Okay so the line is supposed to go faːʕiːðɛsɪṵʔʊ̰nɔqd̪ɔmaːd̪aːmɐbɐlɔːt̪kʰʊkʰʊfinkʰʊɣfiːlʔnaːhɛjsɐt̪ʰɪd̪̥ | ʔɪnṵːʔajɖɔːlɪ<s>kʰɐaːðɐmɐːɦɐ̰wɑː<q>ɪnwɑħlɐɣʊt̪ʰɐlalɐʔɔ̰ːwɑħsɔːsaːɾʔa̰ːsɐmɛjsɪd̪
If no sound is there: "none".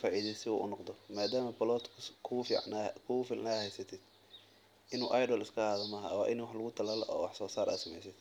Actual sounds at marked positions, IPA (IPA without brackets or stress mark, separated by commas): s, ʔ